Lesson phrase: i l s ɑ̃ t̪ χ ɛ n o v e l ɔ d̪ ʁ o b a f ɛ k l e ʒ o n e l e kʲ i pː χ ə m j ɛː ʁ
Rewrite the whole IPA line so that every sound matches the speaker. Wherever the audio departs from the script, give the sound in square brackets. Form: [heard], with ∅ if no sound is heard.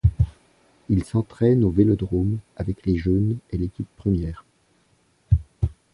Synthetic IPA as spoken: i l s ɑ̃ t̪ χ ɛ n o v e l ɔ d̪ ʁ o [m] a [v] ɛ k l e ʒ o n e l e kʲ i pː χ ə m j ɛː ʁ